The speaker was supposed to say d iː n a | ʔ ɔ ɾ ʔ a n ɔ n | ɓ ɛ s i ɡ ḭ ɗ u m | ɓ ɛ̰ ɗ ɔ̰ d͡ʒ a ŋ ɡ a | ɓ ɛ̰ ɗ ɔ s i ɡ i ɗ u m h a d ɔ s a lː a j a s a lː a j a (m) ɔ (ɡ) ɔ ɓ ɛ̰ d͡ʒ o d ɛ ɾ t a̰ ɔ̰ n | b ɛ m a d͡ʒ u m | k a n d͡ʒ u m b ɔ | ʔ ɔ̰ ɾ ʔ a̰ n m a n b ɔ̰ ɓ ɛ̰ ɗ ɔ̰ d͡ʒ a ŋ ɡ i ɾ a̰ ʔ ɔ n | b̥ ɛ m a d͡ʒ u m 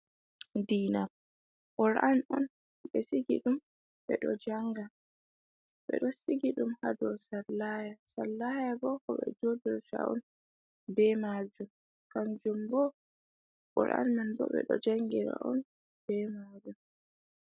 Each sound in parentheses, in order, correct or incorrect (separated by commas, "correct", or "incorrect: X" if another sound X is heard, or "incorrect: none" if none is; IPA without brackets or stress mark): incorrect: b, incorrect: k